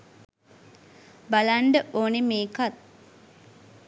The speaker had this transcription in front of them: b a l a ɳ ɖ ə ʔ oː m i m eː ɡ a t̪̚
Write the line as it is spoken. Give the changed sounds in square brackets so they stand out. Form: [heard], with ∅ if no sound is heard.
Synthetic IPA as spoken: b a l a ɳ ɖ ə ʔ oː [n] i m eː [k] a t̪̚

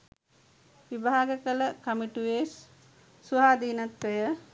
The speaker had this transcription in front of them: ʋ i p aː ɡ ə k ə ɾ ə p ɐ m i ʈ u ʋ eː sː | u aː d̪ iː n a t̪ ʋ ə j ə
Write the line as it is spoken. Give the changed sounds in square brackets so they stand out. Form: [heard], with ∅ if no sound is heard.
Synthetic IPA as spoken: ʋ i [b] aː ɡ ə k ə [l] ə [k] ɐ m i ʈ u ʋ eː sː | u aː d̪ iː n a t̪ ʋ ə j ə

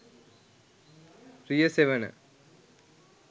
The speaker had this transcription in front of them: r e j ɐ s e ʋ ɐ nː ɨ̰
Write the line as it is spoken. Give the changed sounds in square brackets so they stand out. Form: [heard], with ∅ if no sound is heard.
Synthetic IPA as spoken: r [i] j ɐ s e ʋ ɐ [n] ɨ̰

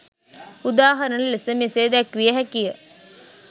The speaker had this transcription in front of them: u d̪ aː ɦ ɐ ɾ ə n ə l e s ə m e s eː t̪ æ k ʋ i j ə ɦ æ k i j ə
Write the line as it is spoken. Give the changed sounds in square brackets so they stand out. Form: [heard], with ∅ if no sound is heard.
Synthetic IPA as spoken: u d̪ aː ɦ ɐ ɾ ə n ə l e s ə m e s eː [d̪] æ k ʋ i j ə ɦ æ k i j ə

